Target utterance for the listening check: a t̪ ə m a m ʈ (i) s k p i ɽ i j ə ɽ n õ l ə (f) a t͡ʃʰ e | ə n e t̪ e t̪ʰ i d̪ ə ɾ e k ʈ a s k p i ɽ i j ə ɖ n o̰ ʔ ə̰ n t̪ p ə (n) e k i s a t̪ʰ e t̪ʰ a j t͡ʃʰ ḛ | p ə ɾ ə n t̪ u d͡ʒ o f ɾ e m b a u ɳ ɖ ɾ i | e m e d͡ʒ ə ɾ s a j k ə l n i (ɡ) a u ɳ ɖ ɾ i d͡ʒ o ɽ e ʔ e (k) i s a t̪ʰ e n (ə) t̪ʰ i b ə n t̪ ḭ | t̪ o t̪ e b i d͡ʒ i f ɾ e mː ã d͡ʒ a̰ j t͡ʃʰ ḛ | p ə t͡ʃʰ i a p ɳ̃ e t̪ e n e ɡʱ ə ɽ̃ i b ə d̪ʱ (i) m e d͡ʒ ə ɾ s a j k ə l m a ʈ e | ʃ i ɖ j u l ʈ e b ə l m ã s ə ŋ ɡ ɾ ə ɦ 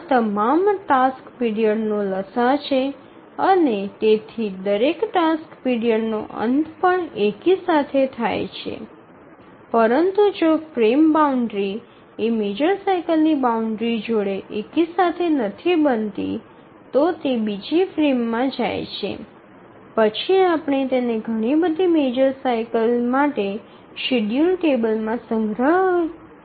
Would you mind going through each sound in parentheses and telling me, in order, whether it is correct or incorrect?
incorrect: a, incorrect: s, incorrect: ɳ, incorrect: b, correct, correct, correct

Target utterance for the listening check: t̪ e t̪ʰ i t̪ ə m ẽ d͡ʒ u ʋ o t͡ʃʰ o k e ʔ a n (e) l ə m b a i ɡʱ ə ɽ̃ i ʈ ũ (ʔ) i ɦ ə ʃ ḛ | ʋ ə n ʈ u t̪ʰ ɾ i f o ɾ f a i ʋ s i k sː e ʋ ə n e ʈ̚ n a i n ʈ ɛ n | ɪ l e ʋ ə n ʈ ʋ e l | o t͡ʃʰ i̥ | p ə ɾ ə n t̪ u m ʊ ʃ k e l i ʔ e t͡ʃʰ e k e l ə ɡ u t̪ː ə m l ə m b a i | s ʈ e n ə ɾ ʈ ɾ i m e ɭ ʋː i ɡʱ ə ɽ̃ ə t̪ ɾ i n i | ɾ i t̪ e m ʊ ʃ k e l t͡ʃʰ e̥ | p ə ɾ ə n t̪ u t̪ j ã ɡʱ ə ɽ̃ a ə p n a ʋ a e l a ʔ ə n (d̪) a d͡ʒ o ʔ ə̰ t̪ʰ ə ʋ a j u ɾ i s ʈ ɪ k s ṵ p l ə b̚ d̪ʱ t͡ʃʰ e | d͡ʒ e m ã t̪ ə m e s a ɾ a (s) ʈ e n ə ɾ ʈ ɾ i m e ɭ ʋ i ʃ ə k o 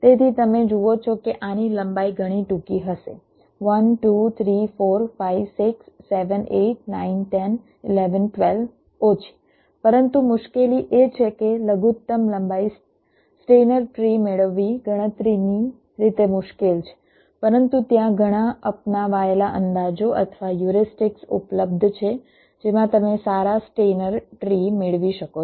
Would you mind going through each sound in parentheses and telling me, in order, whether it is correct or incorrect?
incorrect: i, incorrect: k, correct, correct

